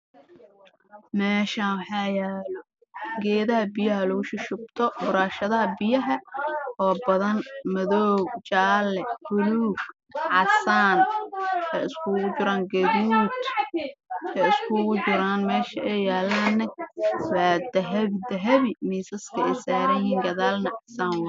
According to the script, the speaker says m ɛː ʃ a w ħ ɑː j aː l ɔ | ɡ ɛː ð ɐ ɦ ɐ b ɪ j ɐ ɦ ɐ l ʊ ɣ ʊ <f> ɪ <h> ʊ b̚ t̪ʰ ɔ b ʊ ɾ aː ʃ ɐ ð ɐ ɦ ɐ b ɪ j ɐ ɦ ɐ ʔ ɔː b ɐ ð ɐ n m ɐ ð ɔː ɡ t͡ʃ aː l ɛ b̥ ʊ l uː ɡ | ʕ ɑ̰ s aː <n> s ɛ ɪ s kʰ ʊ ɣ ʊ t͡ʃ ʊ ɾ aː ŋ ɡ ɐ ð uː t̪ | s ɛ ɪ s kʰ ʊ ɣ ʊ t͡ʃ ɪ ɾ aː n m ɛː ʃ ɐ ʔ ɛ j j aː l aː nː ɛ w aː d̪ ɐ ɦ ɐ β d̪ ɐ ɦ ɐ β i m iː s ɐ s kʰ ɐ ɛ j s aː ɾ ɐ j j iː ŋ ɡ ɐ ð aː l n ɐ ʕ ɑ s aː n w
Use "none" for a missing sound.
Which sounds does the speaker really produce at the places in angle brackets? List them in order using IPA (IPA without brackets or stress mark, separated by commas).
ʃ, ʃ, n